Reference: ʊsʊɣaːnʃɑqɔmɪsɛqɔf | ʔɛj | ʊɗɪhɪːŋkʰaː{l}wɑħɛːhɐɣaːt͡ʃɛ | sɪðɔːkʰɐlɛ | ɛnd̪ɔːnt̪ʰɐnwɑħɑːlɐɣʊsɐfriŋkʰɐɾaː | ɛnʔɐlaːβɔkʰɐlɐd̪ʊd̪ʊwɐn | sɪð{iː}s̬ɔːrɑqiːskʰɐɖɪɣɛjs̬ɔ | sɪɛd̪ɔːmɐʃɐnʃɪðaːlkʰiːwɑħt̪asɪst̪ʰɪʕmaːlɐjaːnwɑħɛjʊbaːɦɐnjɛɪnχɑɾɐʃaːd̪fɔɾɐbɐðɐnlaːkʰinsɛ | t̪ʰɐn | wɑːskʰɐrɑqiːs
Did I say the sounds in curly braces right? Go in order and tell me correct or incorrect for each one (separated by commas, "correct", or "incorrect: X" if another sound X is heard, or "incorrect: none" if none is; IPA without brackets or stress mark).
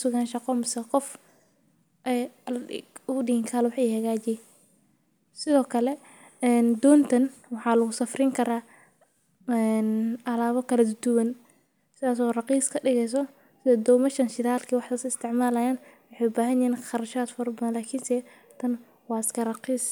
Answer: correct, incorrect: aː